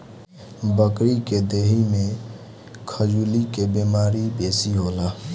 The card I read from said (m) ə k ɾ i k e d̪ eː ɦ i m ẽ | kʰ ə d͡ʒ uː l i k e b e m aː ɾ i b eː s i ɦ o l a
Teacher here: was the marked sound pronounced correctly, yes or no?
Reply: no